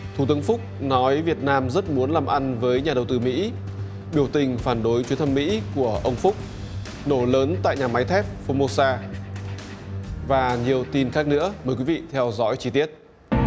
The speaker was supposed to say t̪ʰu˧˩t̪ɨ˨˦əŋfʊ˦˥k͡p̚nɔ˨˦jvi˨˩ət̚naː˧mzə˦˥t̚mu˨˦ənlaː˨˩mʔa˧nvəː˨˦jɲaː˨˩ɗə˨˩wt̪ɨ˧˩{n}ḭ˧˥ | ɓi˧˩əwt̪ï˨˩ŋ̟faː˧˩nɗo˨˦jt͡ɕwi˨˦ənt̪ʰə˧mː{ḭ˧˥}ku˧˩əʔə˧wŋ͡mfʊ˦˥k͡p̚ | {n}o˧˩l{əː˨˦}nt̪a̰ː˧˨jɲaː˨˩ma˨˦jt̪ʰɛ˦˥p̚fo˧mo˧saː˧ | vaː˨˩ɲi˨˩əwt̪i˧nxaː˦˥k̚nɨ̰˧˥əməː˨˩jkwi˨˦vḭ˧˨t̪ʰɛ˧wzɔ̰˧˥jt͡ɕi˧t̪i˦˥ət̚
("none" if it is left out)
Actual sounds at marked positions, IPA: m, ḭ˧˥, n, əː˨˦

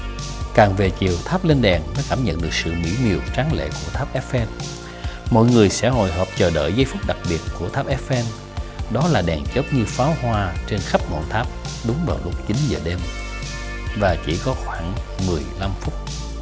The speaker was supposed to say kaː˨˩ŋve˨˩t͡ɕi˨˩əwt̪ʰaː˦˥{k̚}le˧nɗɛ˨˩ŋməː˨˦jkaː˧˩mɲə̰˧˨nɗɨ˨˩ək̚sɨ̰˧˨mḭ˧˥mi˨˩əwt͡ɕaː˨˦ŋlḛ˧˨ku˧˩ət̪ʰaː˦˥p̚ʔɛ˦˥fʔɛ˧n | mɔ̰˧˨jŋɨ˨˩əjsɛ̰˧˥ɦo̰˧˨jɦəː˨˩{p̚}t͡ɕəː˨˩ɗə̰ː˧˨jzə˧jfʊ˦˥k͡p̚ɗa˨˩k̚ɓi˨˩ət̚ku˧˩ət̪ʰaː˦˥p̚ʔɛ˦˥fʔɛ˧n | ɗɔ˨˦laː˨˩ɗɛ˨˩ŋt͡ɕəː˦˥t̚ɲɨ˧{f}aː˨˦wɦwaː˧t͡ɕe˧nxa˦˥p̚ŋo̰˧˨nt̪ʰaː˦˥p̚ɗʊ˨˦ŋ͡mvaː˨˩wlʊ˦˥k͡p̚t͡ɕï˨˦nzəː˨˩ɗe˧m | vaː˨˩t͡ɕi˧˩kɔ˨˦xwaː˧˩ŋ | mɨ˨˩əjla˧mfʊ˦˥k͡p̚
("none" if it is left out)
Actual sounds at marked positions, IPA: p̚, p̚, f

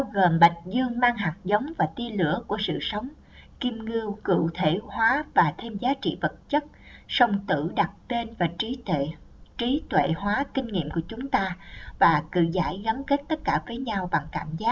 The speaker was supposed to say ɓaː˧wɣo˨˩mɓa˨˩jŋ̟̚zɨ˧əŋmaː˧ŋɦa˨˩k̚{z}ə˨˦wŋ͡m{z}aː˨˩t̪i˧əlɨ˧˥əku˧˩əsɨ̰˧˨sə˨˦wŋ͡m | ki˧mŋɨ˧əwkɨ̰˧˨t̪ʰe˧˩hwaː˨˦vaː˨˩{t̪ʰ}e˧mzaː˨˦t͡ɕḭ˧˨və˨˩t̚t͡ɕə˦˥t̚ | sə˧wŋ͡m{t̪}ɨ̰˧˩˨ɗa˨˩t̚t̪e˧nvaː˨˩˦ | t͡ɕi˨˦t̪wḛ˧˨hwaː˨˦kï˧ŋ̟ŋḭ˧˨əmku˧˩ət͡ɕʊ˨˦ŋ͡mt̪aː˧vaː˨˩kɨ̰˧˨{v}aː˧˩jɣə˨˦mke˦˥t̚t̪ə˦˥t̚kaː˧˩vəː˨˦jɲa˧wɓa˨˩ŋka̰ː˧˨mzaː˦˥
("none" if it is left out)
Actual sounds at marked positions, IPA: z, v, t̪ʰ, t̪, z

